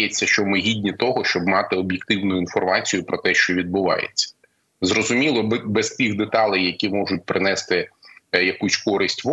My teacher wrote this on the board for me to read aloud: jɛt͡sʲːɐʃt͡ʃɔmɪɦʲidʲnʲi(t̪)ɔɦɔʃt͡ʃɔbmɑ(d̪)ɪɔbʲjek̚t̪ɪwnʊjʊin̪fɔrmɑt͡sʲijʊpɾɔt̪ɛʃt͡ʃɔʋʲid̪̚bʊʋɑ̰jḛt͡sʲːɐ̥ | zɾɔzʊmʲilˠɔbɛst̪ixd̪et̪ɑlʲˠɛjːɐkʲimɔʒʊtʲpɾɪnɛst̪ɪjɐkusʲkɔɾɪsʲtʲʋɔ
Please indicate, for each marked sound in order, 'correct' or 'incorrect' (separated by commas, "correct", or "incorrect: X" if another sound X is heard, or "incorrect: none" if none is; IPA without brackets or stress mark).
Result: correct, incorrect: t̪